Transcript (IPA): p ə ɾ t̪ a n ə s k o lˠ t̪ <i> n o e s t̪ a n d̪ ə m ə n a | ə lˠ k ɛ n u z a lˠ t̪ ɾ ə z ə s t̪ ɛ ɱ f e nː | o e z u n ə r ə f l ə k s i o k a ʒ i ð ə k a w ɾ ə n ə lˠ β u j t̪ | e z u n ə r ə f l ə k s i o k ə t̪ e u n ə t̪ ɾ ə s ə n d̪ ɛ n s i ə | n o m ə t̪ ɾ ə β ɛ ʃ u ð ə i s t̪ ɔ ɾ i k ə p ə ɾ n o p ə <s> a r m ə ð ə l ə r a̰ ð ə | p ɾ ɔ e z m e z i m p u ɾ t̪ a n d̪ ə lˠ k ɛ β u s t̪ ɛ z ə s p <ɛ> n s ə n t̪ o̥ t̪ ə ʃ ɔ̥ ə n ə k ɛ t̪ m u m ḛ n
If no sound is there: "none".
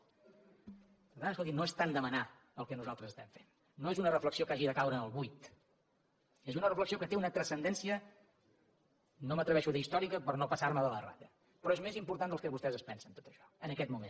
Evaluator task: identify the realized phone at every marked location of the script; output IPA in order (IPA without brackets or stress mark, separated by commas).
i, s, ɛ